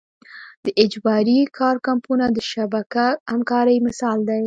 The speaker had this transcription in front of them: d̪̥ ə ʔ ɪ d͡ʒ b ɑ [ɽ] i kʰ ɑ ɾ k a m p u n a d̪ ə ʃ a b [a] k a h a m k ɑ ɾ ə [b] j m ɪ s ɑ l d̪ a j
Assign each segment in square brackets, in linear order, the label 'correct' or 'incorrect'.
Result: incorrect, correct, incorrect

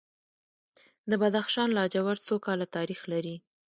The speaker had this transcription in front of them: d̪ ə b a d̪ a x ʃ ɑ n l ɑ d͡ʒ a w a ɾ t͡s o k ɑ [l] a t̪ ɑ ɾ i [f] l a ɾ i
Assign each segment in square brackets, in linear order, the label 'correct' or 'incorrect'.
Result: correct, incorrect

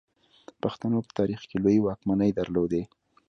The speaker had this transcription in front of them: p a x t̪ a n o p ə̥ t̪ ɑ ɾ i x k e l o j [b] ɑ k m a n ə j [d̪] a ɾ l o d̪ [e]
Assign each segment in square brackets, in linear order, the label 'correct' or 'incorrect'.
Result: incorrect, correct, correct

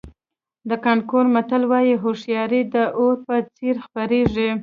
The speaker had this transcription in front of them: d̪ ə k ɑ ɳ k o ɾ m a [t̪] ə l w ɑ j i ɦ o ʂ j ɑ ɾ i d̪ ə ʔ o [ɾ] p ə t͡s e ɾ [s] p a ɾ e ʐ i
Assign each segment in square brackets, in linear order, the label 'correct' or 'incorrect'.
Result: correct, correct, incorrect

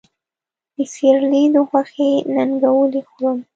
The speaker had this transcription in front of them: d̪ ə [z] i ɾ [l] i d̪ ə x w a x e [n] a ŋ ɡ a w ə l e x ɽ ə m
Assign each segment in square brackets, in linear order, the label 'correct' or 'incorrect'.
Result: incorrect, correct, correct

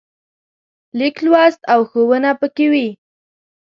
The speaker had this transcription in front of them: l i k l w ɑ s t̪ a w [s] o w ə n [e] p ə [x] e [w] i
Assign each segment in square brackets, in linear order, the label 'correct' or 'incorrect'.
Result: incorrect, incorrect, incorrect, correct

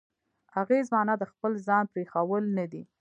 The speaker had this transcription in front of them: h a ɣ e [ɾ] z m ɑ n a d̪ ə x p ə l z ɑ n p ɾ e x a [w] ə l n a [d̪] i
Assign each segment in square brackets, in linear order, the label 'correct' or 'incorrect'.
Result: incorrect, correct, correct

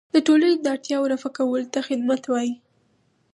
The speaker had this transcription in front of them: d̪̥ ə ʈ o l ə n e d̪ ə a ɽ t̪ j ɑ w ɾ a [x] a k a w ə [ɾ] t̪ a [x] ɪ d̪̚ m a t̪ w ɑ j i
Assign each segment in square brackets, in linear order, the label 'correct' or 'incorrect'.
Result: incorrect, incorrect, correct

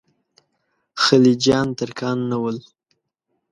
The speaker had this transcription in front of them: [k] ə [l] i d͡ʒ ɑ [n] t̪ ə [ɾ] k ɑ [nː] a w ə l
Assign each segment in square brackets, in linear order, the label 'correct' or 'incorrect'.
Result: incorrect, correct, correct, correct, correct

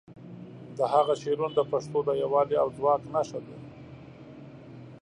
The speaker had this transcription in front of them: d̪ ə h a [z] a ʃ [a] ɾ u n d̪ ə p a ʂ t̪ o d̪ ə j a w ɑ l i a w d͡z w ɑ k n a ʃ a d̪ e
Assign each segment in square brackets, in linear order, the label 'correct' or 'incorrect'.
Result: incorrect, incorrect

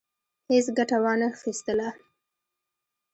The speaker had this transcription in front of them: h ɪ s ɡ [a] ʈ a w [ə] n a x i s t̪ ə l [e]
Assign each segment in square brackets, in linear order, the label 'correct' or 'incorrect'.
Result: correct, incorrect, incorrect

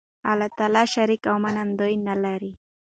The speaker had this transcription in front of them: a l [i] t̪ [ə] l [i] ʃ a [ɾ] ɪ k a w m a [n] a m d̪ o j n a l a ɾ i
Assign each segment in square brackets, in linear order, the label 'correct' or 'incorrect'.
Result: incorrect, incorrect, incorrect, correct, correct

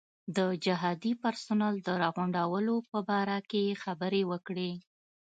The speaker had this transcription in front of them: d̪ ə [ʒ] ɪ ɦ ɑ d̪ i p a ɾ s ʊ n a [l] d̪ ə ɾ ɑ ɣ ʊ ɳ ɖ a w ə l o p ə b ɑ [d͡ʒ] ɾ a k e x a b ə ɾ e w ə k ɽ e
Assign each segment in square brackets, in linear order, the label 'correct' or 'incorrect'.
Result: incorrect, correct, incorrect

